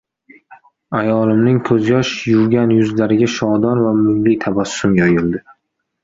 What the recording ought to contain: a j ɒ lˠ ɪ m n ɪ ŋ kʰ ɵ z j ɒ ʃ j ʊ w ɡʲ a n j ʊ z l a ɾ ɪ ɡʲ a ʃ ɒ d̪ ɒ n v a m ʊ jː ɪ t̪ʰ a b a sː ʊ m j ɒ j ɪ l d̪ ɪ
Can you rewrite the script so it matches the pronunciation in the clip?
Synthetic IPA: a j ɒ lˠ ɪ m n ɪ ŋ kʰ ɵ z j ɒ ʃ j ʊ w ɡʲ a n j ʊ z l a ɾ ɪ ɡʲ a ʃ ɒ d̪ ɒ n v a m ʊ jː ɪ t̪ʰ a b a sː ʊ m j ɒ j ɪ l d̪ ɪ